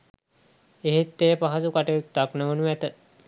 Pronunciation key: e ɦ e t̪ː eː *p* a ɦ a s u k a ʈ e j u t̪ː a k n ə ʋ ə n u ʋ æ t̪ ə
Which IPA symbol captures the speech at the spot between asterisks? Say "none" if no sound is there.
p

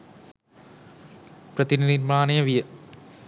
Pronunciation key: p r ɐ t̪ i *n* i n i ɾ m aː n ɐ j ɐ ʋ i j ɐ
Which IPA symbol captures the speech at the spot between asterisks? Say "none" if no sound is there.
n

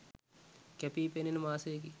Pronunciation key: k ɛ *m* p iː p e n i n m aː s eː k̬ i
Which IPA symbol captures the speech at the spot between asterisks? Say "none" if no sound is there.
none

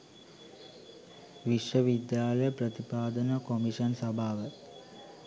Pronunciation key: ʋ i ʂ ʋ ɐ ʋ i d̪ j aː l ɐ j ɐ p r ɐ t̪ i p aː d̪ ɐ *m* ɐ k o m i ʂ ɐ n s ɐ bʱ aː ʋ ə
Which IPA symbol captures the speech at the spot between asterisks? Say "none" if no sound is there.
n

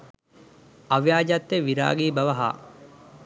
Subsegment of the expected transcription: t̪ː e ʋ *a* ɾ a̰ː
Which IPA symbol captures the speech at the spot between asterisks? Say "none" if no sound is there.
i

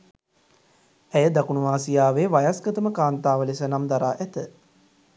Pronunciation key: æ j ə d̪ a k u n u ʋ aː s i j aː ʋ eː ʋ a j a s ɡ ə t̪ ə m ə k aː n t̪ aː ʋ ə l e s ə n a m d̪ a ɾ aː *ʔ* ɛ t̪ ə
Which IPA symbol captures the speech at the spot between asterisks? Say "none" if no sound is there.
ʔ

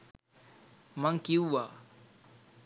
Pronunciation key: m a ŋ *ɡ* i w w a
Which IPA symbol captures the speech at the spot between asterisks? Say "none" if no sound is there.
k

